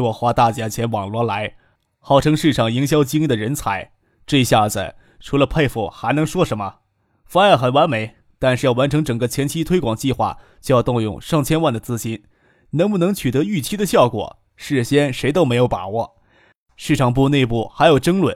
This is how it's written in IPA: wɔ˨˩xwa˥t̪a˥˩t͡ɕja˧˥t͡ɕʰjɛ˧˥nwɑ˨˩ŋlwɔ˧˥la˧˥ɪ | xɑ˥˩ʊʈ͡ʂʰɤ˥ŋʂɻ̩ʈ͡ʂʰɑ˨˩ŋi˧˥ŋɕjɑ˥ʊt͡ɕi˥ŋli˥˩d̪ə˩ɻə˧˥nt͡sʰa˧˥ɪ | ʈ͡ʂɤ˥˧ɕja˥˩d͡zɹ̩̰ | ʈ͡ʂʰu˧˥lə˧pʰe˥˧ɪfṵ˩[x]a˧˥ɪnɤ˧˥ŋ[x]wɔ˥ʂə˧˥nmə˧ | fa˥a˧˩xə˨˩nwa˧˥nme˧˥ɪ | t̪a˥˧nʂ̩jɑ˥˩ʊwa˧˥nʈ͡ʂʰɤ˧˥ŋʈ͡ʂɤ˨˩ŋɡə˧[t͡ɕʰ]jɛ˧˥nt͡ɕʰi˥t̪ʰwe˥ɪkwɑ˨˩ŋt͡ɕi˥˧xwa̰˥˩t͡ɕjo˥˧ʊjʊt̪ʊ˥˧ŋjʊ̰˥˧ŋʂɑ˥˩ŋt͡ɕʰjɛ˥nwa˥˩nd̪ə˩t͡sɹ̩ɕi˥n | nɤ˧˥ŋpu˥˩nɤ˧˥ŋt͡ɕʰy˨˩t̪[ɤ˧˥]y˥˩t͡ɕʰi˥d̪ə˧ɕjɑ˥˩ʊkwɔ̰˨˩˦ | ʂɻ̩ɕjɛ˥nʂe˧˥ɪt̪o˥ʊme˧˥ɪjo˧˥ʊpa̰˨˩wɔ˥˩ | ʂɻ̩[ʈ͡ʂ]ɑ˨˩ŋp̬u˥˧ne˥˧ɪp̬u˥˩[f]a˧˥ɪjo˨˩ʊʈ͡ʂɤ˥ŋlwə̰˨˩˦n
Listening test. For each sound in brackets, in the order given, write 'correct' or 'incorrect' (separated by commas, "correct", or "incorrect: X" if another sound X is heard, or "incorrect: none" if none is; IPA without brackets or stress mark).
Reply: correct, incorrect: ʂ, correct, correct, incorrect: ʈ͡ʂʰ, incorrect: x